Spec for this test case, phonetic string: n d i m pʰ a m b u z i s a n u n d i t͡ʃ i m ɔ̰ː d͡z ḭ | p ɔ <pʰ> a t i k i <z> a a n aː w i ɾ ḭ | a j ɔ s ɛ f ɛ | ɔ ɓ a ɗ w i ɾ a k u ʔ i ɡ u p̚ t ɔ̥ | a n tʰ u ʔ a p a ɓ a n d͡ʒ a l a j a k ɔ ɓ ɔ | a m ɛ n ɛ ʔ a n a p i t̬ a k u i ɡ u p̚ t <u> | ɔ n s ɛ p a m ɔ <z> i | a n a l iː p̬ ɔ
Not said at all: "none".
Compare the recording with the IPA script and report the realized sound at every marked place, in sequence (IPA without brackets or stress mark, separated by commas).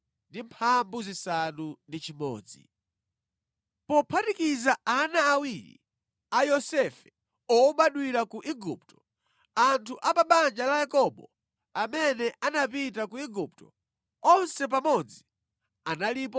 pʰ, z, ɔ, d͡z